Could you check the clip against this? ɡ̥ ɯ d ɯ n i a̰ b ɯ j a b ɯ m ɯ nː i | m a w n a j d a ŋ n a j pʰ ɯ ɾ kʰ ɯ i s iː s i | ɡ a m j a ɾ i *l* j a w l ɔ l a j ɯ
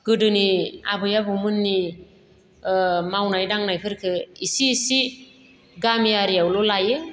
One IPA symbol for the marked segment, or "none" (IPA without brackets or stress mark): none